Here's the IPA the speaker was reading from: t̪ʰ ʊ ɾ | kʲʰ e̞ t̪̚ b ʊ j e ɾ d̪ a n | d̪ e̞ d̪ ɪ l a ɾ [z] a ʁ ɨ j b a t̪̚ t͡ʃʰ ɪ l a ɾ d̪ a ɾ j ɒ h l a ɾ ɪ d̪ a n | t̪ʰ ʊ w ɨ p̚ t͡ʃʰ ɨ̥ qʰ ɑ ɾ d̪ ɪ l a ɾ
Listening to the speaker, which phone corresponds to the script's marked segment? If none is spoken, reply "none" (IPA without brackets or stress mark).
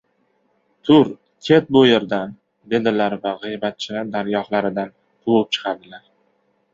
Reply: v